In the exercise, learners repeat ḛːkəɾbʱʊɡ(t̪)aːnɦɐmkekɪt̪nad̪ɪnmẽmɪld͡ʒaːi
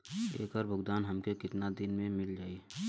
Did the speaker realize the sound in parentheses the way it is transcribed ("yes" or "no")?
no